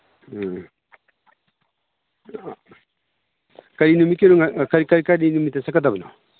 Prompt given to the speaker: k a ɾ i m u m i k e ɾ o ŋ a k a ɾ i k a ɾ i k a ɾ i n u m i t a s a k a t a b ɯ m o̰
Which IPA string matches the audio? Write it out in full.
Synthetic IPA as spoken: k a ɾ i n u m i k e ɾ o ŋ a k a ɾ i k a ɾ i k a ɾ i n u m i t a s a k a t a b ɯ n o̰